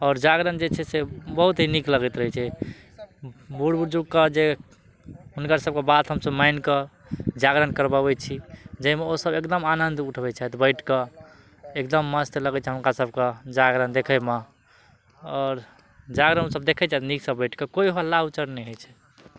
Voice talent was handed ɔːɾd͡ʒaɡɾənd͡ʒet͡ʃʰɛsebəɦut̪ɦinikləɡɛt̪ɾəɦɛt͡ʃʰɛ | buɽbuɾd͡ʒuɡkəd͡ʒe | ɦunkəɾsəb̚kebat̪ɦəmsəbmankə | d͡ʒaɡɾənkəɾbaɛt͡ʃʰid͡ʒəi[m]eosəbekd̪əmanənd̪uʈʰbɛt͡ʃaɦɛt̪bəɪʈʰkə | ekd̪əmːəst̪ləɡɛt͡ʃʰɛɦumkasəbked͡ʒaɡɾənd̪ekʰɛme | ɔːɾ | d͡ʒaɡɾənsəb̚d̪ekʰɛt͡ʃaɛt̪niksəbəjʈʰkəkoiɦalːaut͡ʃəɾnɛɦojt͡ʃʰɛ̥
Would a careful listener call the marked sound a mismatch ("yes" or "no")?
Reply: no